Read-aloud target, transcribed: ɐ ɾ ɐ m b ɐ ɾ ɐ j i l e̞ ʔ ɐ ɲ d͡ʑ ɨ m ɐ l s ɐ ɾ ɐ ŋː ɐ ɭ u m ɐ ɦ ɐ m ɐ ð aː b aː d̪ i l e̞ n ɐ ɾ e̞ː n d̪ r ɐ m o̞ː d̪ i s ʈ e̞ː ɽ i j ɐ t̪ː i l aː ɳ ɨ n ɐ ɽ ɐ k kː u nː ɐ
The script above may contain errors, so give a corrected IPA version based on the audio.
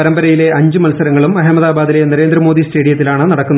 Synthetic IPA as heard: ɐ ɾ ɐ m b ɐ ɾ ɐ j i l e̞ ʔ ɐ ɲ d͡ʑ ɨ m ɐ l s ɐ ɾ ɐ ŋː ɐ ɭ u m ɐ ɦ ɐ m ɐ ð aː b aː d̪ i l e̞ n ɐ ɾ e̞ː n d̪ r ɐ m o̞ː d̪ i s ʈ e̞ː ɽ i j ɐ t̪ː i l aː ɳ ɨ n ɐ ɽ ɐ k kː u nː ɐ